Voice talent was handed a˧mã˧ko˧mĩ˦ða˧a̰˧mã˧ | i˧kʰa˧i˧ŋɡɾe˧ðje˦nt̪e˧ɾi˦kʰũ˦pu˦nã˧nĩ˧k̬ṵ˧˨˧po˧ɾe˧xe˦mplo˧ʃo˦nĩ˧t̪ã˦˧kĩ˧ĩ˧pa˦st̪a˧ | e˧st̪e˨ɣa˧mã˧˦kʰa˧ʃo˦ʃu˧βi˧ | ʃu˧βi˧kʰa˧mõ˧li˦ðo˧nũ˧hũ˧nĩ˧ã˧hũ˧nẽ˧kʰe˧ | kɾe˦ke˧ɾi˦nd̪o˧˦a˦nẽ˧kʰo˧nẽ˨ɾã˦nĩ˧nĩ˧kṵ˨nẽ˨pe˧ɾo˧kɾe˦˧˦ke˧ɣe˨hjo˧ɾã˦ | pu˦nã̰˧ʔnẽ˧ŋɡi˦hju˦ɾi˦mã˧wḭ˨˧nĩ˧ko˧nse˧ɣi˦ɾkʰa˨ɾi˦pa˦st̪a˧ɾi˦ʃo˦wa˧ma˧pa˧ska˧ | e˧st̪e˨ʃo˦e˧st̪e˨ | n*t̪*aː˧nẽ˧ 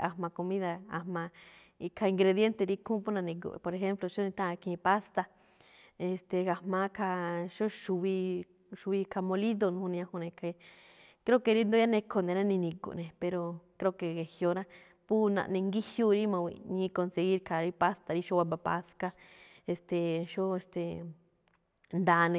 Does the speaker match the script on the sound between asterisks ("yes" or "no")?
no